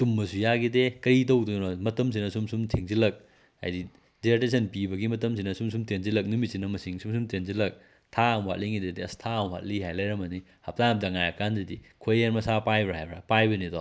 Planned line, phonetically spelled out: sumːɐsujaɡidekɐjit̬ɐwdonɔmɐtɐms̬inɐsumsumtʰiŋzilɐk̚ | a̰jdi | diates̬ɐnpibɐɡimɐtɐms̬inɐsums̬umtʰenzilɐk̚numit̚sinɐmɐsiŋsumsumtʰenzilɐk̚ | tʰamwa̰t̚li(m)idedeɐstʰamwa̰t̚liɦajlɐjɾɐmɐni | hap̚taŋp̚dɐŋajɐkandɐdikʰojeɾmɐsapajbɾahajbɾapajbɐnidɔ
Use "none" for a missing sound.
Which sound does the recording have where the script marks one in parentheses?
ŋ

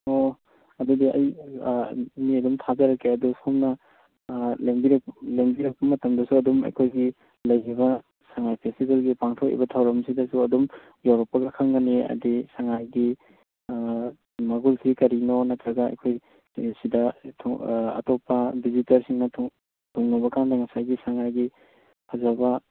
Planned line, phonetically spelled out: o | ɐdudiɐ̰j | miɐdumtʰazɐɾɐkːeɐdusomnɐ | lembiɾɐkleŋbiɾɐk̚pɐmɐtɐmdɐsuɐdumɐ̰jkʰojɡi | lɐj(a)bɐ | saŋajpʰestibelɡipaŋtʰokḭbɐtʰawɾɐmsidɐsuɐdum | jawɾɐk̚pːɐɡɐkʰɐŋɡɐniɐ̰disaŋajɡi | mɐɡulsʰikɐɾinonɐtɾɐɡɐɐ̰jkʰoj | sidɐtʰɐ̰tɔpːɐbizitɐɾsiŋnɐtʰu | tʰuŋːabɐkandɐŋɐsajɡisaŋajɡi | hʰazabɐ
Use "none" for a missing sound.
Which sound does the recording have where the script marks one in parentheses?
i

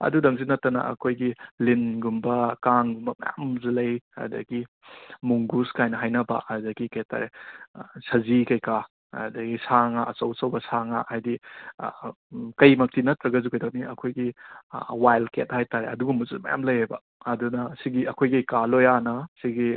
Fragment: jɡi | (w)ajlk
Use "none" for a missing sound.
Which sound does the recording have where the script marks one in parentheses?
w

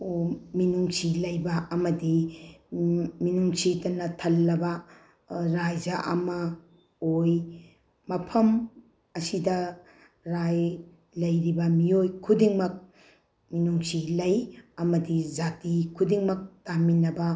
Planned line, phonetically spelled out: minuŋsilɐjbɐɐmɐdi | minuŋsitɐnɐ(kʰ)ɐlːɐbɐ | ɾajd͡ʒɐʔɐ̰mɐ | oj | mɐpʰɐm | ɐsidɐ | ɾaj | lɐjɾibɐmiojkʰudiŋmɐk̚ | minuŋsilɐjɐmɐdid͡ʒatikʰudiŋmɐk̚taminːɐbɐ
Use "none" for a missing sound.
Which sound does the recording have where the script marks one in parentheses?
tʰ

